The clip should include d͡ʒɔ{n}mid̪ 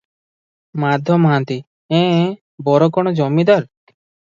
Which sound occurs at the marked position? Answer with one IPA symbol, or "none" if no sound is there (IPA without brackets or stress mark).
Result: none